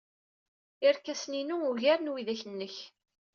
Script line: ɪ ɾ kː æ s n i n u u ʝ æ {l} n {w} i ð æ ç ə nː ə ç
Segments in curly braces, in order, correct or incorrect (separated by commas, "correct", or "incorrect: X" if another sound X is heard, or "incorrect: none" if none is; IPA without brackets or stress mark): incorrect: ɾ, correct